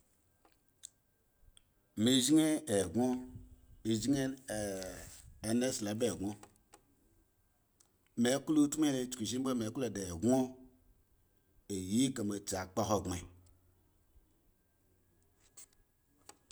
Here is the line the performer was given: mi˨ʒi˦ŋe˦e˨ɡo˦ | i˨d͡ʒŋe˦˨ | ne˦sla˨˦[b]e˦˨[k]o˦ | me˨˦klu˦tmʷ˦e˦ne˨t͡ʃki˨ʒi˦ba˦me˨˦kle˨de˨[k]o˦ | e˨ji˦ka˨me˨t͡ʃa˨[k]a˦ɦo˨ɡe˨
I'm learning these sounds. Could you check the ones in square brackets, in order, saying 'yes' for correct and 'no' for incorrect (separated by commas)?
yes, no, no, no